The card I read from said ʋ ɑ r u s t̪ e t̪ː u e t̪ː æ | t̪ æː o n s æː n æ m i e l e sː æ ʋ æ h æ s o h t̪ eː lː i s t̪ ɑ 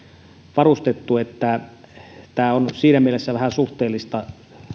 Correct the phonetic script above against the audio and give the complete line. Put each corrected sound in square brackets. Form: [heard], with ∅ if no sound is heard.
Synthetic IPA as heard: ʋ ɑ r u s t̪ e t̪ː u e t̪ː æ | t̪ æː o n s [iː] n æ m i e l e sː æ ʋ æ h æ s [u] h t̪ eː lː i s t̪ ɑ